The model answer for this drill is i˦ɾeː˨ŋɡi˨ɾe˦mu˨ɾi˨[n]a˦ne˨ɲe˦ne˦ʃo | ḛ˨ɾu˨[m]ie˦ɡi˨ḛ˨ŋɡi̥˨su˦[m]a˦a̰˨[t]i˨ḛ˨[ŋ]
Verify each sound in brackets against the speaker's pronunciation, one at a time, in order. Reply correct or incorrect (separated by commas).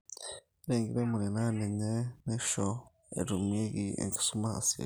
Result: correct, correct, correct, incorrect, incorrect